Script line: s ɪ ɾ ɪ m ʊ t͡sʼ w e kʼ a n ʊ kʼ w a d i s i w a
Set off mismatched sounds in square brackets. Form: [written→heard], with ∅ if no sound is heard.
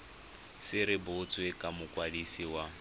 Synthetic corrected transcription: s ɪ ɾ ɪ [m→b] ʊ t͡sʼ w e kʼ a [n→m] ʊ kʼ w a d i s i w a